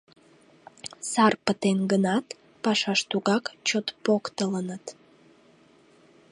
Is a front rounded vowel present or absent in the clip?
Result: absent